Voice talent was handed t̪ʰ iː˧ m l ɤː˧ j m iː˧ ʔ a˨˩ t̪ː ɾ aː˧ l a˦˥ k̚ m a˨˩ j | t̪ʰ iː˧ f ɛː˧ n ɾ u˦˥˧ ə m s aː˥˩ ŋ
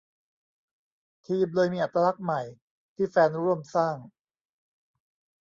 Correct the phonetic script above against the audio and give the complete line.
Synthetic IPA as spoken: t̪ʰ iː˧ m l ɤː˧ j m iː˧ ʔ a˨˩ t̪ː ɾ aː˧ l a˦˥ k̚ m a˨˩ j | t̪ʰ iː˥˩ f ɛː˧ n ɾ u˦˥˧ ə m s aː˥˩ ŋ